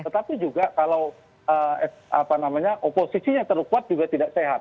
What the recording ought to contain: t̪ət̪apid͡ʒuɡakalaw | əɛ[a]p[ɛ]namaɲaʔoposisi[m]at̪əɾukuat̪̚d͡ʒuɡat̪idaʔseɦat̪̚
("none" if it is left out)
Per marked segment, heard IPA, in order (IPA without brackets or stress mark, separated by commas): a, a, ɲ